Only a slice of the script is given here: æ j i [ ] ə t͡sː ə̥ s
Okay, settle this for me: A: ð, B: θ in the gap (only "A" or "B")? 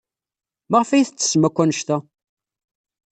B